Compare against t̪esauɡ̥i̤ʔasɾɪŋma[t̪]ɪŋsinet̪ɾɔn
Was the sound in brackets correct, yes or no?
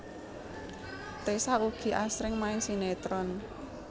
no